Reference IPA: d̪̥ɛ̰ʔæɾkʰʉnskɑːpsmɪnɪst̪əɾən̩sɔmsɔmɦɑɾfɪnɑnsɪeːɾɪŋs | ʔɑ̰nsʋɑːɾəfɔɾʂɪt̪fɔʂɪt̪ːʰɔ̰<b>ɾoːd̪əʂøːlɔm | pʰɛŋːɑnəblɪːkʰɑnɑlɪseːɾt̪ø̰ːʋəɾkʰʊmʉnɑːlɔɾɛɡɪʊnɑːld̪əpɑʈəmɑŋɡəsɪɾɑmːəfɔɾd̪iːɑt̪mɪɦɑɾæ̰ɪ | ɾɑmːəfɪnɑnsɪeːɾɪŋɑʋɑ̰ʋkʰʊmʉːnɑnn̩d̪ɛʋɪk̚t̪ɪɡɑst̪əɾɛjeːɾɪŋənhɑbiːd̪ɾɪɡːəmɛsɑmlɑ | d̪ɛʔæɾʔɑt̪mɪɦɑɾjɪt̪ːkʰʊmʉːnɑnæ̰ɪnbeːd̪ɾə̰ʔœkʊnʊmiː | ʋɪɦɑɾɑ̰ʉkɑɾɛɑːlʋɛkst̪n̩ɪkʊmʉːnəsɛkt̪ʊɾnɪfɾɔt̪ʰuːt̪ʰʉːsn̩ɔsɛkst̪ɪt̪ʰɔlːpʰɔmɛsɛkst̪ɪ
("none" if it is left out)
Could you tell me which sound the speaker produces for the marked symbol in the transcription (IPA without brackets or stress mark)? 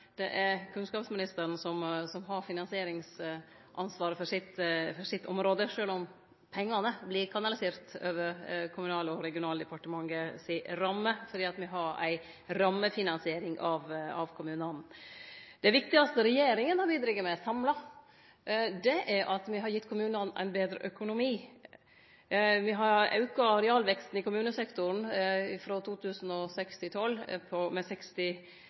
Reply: m